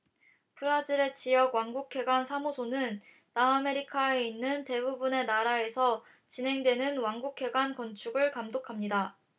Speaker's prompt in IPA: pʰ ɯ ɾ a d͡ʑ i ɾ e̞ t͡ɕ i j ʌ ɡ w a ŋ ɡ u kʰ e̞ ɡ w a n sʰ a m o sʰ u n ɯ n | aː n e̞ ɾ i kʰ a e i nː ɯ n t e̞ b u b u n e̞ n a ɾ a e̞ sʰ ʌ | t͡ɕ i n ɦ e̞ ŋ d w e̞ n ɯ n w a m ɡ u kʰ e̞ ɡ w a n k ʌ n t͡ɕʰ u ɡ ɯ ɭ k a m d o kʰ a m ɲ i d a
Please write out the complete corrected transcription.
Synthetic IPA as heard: pʰ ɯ ɾ a d͡ʑ i ɾ e̞ t͡ɕ i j ʌ ɡ w a ŋ ɡ u kʰ e̞ ɡ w a n sʰ a m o sʰ o n ɯ nː | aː m e̞ ɾ i kʰ a e i nː ɯ n t e̞ b u b u n e̞ n a ɾ a e̞ sʰ ʌ | t͡ɕ i n ɦ e̞ ŋ d w e̞ n ɯ n w a ŋ ɡ u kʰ e̞ ɡ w a n k ʌ n t͡ɕʰ u ɡ ɯ ɭ k a m d o kʰ a m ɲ i d a